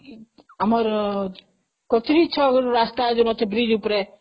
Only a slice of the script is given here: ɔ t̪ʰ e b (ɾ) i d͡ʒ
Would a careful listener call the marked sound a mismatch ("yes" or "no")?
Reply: no